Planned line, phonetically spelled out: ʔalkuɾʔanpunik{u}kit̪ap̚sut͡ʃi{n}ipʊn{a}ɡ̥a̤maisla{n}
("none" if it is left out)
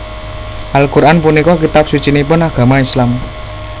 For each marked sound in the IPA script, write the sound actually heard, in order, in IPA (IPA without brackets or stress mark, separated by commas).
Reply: ɔ, n, a, m